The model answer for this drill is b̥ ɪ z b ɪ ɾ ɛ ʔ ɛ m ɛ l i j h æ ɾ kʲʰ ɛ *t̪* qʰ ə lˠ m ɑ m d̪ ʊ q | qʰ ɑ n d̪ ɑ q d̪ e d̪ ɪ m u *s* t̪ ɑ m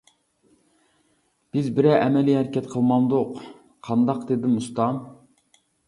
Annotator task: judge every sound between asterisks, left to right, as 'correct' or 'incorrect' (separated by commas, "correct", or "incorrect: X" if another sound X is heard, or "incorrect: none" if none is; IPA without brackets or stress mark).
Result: correct, correct